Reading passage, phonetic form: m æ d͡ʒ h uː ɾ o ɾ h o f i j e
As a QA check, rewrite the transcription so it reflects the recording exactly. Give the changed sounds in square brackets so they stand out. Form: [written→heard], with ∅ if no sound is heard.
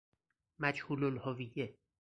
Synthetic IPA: m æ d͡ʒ h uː [ɾ→l] o [ɾ→l] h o [f→v] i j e